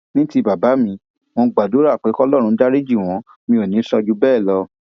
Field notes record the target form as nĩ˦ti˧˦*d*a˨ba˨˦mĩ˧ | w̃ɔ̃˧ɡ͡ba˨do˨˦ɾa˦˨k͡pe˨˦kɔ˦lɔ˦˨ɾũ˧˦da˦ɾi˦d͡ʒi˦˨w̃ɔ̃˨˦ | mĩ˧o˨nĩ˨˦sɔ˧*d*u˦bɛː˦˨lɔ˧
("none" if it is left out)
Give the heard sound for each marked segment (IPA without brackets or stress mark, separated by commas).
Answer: b, d͡ʒ